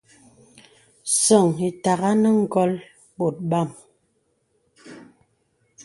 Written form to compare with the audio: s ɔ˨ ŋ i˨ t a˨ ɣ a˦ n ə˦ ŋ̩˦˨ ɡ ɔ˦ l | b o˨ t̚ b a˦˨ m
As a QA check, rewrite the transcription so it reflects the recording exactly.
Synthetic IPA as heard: s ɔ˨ ŋ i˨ t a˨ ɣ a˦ n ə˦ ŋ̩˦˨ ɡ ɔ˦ l | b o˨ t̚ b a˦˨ m